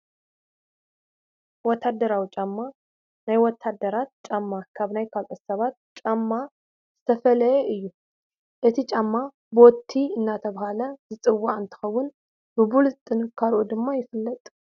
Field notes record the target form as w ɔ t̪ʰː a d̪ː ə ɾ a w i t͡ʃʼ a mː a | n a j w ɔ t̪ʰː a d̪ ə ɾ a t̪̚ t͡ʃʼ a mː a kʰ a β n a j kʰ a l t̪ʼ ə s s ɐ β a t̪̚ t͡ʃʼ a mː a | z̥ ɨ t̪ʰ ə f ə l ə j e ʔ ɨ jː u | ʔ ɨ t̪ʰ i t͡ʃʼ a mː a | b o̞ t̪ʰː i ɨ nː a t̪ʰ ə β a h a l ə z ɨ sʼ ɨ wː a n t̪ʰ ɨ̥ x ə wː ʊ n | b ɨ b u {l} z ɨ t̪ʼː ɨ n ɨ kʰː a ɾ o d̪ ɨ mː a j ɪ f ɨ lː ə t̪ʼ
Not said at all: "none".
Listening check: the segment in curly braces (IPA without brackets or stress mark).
l